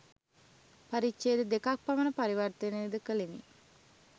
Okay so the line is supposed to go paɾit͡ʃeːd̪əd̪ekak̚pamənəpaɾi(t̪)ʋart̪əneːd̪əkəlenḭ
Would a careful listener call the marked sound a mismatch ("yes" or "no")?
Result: yes